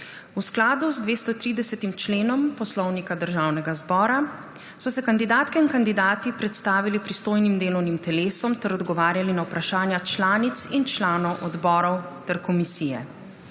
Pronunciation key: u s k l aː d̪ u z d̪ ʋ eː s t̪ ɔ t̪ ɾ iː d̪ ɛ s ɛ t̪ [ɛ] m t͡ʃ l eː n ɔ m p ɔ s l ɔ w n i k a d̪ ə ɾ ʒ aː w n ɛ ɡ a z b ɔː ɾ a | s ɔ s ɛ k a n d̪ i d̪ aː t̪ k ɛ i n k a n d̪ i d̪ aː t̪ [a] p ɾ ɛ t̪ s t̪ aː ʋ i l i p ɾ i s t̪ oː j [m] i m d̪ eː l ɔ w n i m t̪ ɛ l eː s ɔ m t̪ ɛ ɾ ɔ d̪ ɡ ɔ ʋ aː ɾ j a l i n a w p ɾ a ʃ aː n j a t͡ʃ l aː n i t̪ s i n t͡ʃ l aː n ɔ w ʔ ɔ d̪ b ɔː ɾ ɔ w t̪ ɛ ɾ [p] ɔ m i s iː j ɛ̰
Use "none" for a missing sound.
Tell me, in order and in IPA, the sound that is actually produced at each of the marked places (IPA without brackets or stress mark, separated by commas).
i, i, n, k